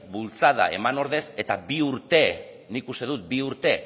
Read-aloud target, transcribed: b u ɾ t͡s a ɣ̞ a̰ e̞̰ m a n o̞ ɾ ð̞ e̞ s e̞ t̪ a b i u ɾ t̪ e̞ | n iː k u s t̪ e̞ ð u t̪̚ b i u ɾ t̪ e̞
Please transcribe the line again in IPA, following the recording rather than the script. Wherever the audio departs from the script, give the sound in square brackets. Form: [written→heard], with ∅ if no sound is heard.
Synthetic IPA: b u [ɾ→l] t͡s a [ɣ̞→ð̞] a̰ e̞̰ m a n o̞ ɾ ð̞ e̞ s e̞ t̪ a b i u ɾ t̪ e̞ | n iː k u s t̪ e̞ ð u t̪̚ b i u ɾ t̪ e̞